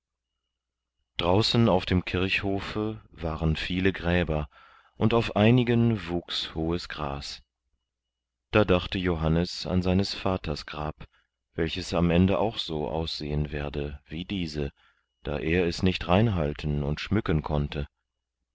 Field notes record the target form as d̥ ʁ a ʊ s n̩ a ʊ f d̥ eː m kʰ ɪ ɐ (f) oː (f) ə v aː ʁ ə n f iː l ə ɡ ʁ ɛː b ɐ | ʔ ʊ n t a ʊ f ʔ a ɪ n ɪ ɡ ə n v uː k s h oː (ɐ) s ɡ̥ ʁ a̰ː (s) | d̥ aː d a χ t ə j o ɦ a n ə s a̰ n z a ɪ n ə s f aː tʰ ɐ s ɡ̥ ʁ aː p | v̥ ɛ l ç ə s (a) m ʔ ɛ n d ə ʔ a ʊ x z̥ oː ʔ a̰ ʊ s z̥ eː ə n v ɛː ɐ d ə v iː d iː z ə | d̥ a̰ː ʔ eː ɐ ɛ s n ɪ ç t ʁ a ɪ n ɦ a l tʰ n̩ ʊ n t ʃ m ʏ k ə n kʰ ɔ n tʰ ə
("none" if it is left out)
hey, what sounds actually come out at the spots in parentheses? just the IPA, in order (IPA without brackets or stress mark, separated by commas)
h, f, ə, s, a